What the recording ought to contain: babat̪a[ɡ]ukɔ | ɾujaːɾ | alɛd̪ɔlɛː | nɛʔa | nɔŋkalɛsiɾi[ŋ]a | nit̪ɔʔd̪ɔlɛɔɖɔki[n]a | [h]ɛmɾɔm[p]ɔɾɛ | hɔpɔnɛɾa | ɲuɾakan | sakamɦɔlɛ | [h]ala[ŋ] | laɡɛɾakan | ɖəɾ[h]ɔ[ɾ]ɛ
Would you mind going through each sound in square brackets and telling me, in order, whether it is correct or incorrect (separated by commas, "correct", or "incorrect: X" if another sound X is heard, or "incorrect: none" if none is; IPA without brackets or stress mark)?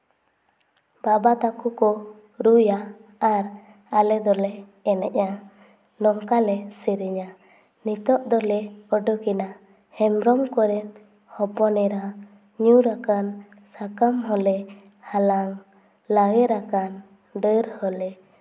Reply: incorrect: k, incorrect: ɲ, correct, correct, incorrect: k, correct, correct, correct, incorrect: l